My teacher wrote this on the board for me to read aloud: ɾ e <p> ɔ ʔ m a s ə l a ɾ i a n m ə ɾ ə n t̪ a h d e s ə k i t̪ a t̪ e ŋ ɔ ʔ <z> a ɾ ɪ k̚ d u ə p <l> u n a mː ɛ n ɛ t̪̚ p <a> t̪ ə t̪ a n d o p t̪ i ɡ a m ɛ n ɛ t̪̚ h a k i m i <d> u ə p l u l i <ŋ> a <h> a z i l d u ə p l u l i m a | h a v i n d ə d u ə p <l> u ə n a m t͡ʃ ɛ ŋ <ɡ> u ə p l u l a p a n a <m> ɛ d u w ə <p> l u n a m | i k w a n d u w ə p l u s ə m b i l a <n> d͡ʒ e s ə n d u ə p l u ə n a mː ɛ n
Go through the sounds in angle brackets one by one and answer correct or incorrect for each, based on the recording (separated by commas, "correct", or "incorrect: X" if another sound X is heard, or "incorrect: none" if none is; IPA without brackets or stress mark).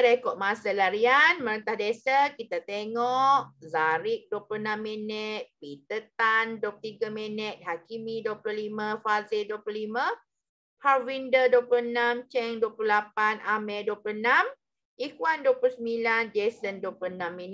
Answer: incorrect: k, correct, correct, incorrect: i, correct, incorrect: m, incorrect: f, correct, incorrect: d, correct, correct, correct